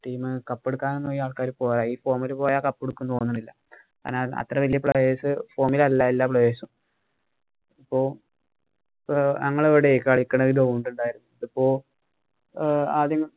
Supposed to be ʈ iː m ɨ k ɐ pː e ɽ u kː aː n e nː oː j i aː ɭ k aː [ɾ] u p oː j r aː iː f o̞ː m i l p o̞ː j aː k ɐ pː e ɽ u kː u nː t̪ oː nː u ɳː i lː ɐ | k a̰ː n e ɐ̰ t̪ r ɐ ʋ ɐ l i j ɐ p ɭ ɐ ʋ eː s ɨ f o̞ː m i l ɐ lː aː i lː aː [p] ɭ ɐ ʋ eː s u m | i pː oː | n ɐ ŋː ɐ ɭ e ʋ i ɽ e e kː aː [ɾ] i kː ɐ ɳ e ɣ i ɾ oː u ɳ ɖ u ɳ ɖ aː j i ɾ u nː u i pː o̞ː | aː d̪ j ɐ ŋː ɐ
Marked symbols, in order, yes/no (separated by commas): yes, yes, no